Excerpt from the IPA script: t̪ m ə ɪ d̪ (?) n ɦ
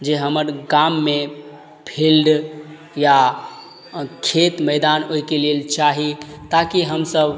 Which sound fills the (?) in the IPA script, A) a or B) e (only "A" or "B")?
A